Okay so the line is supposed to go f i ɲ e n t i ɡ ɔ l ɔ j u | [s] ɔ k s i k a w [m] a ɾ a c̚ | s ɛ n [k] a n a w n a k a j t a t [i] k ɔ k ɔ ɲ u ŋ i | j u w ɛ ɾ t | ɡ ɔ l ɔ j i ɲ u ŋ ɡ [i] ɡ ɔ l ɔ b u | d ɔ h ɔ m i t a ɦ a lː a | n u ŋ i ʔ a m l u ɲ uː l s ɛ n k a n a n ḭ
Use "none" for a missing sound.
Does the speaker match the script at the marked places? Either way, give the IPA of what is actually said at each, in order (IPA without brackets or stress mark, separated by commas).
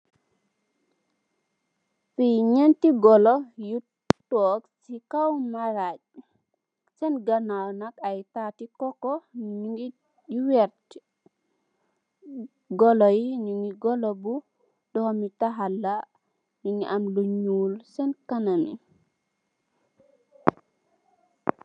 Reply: t, m, ɡ, i, i